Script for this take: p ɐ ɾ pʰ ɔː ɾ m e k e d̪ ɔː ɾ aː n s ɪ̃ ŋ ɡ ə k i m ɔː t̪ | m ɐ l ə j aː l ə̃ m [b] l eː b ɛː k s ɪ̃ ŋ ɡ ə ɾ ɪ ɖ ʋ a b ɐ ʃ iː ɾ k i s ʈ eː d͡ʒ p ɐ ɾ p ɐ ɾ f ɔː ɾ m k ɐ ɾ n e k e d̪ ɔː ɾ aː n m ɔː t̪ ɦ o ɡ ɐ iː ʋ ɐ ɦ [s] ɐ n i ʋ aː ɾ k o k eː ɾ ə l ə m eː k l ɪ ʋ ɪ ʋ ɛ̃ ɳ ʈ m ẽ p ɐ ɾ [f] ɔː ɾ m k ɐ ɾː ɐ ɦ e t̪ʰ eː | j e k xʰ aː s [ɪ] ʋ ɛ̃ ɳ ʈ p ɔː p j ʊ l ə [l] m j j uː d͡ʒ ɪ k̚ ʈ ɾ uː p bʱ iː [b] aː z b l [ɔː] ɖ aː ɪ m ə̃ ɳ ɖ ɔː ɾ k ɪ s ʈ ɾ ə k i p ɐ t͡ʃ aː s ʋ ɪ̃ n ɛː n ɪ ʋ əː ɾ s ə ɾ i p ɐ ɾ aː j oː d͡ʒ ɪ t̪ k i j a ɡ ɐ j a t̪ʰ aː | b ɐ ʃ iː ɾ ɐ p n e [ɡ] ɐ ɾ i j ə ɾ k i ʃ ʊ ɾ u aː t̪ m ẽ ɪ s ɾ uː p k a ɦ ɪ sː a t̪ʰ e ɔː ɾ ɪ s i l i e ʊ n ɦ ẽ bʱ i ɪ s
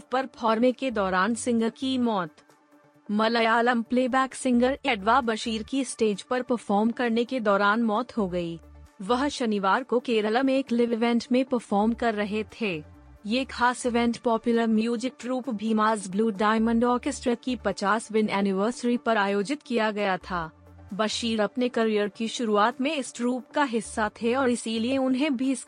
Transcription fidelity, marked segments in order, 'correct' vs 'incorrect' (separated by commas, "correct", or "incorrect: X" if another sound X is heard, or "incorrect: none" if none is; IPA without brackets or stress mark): incorrect: p, incorrect: ʃ, correct, correct, incorrect: ɾ, incorrect: m, incorrect: uː, incorrect: k